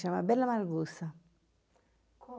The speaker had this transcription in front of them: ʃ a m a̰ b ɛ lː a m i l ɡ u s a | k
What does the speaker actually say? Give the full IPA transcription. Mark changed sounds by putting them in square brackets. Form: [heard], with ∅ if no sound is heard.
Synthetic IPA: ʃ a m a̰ b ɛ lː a m [a] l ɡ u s a | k